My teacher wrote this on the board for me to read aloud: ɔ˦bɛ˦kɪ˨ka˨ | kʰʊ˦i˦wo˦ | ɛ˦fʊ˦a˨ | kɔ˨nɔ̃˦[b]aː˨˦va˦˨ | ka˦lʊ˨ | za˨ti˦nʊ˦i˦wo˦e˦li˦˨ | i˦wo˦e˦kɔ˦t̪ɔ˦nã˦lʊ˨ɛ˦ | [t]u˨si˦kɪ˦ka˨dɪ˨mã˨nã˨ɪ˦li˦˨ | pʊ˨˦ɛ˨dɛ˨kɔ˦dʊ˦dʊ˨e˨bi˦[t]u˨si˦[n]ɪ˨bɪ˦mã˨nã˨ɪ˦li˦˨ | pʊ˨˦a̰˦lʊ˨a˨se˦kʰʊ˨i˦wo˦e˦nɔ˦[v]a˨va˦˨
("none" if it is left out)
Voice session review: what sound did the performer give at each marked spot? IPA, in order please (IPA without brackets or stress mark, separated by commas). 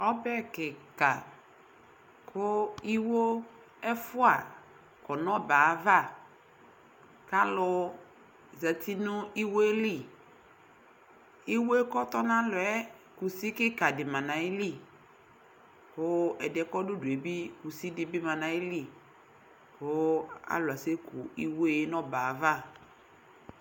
b, k, k, d, b